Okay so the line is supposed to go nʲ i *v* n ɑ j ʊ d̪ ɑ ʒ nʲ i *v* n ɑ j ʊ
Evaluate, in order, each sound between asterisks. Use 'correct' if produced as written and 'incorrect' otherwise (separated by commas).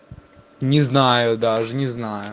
incorrect, incorrect